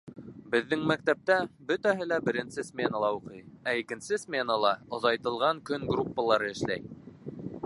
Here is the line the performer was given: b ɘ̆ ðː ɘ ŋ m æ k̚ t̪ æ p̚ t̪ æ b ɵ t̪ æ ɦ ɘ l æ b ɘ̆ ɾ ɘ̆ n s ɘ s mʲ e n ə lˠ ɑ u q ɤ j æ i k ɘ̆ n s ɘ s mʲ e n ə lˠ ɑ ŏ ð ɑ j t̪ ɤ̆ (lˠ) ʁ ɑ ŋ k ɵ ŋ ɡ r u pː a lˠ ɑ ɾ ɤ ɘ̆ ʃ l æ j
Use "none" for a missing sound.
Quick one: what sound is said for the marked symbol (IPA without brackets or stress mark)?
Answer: lˠ